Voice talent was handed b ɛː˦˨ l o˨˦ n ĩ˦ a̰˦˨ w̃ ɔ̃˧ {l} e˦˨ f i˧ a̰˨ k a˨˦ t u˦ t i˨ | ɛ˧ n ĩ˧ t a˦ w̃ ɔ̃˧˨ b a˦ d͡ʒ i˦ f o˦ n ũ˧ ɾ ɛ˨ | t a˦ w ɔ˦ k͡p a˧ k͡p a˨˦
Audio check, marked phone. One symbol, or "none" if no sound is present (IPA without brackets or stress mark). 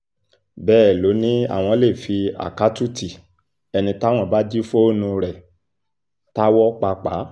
l